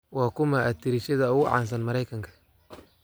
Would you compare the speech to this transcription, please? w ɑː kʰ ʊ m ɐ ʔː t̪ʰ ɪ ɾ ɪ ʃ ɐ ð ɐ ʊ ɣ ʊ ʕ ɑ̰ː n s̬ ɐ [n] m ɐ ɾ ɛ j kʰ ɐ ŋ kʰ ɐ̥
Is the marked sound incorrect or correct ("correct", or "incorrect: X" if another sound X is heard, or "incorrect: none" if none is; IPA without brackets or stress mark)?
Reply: correct